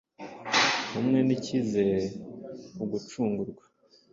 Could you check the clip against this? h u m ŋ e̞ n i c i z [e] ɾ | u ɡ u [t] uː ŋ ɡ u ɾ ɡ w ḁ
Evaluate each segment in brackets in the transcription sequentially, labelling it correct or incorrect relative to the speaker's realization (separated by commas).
correct, incorrect